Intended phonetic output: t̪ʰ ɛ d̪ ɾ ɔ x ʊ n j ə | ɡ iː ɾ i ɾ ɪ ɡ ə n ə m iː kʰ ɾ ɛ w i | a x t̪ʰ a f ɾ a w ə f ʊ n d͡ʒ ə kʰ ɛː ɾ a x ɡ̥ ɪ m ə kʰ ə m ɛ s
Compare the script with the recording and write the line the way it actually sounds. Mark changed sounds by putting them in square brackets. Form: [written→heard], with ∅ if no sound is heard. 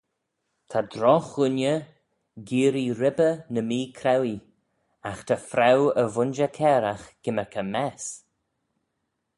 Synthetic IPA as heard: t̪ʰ [ɛ→a] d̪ ɾ ɔ x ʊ n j ə | ɡ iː ɾ i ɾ ɪ [ɡ→b] ə n ə m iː kʰ ɾ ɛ w i | a x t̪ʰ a f ɾ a w ə [f→v] ʊ n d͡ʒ ə kʰ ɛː ɾ a x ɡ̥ ɪ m ə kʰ ə m ɛ s